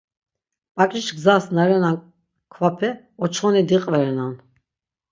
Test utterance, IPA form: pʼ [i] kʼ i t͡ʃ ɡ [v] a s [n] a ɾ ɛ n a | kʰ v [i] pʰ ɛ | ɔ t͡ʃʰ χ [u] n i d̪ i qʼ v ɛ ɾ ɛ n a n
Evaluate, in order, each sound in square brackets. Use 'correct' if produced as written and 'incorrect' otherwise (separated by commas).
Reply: incorrect, incorrect, correct, incorrect, incorrect